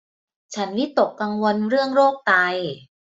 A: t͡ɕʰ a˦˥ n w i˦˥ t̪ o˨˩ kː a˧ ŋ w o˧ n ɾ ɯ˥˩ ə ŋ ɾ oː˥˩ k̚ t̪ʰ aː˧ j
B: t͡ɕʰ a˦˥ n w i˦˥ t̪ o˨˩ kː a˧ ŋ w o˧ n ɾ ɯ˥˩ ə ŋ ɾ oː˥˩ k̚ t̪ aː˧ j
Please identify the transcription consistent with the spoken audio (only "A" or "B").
B